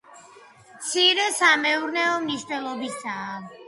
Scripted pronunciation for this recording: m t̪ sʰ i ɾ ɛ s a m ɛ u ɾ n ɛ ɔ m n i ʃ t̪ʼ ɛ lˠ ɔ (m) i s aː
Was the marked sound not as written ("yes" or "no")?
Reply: yes